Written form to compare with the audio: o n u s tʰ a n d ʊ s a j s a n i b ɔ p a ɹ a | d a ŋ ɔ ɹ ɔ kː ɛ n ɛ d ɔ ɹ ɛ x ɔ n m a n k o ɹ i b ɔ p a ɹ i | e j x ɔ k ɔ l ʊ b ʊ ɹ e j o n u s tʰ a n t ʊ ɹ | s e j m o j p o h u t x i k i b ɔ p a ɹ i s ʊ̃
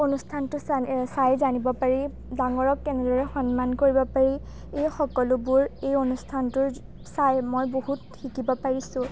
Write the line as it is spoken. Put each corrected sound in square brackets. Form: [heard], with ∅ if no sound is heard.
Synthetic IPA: o n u s tʰ a n [t] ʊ s a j [z] a n i b ɔ p a ɹ [i] | d a ŋ ɔ ɹ ɔ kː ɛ n ɛ d ɔ ɹ ɛ x ɔ n m a n k o ɹ i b ɔ p a ɹ i | e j x ɔ k ɔ l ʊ b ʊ ɹ e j o n u s tʰ a n t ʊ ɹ | s [a] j m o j [b] o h u t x i k i b ɔ p a ɹ i s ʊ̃

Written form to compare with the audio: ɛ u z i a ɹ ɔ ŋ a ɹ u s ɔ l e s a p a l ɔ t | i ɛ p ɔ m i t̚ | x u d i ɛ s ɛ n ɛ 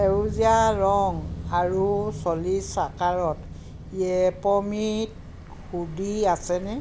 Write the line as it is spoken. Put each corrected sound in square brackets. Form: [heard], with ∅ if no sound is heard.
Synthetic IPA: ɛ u z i a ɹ ɔ ŋ a ɹ u s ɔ l [i] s a [k] a [ɹ] ɔ t | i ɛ p ɔ m i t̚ | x u d i [a] s ɛ n ɛ

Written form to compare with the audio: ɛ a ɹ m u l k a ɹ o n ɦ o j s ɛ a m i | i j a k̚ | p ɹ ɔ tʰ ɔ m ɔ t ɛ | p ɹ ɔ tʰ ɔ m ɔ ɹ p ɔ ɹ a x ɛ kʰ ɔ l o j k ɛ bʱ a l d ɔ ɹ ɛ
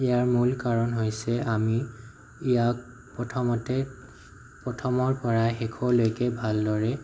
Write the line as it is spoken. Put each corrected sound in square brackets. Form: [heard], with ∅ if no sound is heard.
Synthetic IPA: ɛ a ɹ m u l k a ɹ [ɔ] n ɦ o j s ɛ a m i | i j a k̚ | p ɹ ɔ tʰ ɔ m ɔ t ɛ | p ɹ ɔ tʰ ɔ m ɔ ɹ p ɔ ɹ a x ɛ kʰ ɔ l o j k ɛ bʱ a l d ɔ ɹ ɛ

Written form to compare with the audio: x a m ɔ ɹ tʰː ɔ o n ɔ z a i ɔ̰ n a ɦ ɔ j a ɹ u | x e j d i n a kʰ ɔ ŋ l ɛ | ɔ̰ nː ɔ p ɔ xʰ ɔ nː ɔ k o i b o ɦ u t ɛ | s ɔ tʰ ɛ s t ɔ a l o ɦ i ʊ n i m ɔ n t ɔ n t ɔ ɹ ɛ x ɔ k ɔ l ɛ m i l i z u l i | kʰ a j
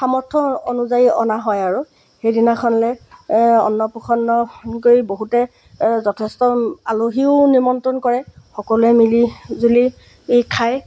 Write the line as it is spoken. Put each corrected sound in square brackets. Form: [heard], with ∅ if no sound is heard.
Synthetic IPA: x a m ɔ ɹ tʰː ɔ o n [u] z a i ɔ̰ n a ɦ ɔ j a ɹ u | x e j d i n a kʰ ɔ [n] l ɛ | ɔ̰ nː ɔ p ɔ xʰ ɔ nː ɔ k o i b o ɦ u t ɛ | [z] ɔ tʰ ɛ s t ɔ a l o ɦ i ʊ n i m ɔ n t ɔ n [k] ɔ ɹ ɛ x ɔ k ɔ l ɛ m i l i z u l i | kʰ a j

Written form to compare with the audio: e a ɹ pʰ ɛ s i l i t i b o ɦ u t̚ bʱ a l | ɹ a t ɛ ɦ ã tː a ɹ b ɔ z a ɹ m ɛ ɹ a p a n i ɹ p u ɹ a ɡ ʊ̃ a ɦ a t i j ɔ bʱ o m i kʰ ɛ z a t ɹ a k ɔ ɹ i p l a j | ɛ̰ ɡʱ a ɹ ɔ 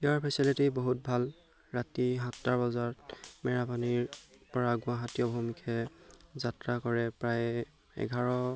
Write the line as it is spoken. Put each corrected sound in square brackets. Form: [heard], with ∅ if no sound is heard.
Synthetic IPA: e a ɹ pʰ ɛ s i l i t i b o ɦ u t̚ bʱ a l | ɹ a t [i] ɦ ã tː a ɹ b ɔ z a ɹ m ɛ ɹ a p a n i ɹ p [ɔ] ɹ a ɡ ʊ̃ a ɦ a t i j ɔ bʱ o m i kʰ ɛ z a t ɹ a k ɔ ɹ [ɛ] p [ɹ] a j | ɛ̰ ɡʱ a ɹ ɔ

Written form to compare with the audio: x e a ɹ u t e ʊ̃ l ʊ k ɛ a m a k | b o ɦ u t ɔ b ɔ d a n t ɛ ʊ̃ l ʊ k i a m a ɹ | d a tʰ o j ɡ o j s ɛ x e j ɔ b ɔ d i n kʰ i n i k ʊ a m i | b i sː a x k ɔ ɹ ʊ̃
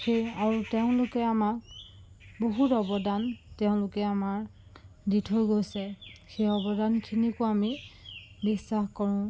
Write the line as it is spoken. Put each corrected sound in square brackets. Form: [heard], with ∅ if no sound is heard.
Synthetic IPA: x e a ɹ u t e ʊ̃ l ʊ k ɛ a m a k | b o ɦ u t ɔ b ɔ d a n t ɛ ʊ̃ l ʊ k [ɛ] a m a ɹ | d [i] tʰ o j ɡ o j s ɛ x e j ɔ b ɔ d [a] n kʰ i n i k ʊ a m i | b i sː a x k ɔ ɹ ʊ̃

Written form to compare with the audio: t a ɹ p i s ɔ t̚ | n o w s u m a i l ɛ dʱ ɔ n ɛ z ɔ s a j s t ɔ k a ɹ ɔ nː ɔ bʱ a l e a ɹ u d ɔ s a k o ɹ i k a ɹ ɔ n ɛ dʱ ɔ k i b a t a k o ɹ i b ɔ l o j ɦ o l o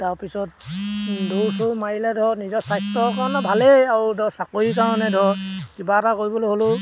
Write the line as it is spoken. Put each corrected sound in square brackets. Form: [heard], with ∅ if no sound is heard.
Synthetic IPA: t a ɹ p i s ɔ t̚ | [d] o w s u m a i l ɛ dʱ ɔ n [i] z ɔ s a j s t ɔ k a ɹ ɔ [n] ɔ bʱ a l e a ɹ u d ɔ s a k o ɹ i k a ɹ ɔ n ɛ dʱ ɔ k i b a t a k o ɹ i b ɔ l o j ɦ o l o

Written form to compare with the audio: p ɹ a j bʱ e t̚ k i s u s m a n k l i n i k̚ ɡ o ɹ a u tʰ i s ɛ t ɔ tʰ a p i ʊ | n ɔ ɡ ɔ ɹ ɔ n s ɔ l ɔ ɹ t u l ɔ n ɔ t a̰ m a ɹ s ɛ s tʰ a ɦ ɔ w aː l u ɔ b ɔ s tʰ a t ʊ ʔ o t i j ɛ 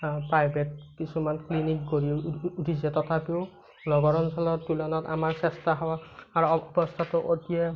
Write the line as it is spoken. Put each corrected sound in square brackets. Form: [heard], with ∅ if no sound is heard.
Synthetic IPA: p ɹ a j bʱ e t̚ k i s u [∅] m a n k l i n i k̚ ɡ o ɹ [i] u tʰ i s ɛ t ɔ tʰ a p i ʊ | n ɔ ɡ ɔ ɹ ɔ n s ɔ l ɔ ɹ t u l ɔ n ɔ t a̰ m a ɹ s ɛ s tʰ a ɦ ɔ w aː [ɹ] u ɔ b ɔ s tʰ a t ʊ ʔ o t i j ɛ

